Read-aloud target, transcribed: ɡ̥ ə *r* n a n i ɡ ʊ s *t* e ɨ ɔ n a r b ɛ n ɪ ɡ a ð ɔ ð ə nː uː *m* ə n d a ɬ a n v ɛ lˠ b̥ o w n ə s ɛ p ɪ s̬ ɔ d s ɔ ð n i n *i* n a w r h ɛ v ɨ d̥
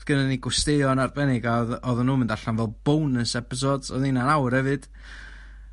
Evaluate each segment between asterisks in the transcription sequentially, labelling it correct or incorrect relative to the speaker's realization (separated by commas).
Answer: incorrect, correct, correct, incorrect